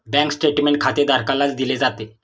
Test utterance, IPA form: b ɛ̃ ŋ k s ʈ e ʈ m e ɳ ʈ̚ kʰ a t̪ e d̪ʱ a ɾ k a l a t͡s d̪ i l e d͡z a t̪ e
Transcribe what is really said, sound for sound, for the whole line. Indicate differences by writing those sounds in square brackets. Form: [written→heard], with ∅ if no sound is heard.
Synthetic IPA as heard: b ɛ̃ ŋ k s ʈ e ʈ m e ɳ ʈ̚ kʰ a t̪ e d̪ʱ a ɾ k a l a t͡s d̪ i l e d͡z a t̪ e

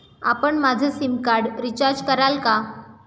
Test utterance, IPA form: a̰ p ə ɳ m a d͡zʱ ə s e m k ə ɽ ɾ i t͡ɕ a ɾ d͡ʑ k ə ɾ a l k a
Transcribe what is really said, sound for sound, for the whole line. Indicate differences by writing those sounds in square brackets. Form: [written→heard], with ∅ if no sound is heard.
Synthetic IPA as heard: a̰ p ə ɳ m a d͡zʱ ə s [e→i] m k [ə→a] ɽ ɾ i t͡ɕ a ɾ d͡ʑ k ə ɾ a l k a

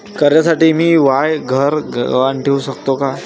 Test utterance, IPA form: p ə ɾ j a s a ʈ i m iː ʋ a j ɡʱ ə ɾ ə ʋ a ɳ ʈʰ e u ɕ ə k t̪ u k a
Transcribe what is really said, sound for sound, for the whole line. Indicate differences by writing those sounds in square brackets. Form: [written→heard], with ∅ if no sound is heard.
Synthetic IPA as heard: [p→k] ə ɾ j a s a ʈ [i→iː] m iː ʋ a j ɡʱ ə ɾ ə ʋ a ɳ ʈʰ e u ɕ ə k t̪ [u→o] k a

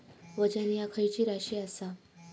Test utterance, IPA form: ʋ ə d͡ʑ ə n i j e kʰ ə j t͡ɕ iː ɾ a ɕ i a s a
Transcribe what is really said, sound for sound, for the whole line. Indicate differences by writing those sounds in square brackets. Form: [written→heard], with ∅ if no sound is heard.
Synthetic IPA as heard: ʋ ə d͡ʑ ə n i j [e→a] kʰ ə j t͡ɕ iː ɾ a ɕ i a s a

